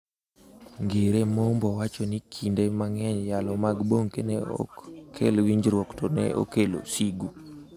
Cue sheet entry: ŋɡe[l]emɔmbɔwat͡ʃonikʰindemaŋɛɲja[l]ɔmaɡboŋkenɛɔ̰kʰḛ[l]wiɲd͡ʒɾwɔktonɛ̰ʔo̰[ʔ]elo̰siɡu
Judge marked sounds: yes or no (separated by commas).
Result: no, yes, yes, no